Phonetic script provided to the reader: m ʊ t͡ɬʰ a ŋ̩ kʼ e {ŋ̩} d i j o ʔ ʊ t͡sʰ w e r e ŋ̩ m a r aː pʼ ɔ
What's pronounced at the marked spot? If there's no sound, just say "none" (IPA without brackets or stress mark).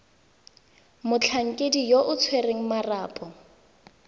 none